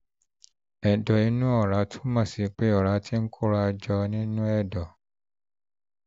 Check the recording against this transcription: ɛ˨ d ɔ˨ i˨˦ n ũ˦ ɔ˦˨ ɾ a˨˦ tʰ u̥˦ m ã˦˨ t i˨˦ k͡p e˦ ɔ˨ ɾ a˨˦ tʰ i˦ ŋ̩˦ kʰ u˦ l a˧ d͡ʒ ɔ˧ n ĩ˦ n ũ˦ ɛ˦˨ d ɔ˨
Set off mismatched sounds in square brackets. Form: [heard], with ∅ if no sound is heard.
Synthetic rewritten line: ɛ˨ d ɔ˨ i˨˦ n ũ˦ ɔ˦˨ ɾ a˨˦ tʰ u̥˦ m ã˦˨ [s] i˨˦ k͡p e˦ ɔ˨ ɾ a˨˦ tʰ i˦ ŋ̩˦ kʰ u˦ [ɾ] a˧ d͡ʒ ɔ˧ n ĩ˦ n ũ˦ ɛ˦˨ d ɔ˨

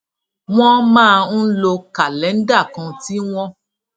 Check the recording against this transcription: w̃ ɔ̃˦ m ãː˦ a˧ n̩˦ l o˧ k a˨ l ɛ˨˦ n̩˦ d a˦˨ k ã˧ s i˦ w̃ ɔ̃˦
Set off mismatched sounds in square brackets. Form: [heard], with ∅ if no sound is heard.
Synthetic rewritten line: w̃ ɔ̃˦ m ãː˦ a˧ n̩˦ l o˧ k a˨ l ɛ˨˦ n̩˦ d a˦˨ k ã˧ [t] i˦ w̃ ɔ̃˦

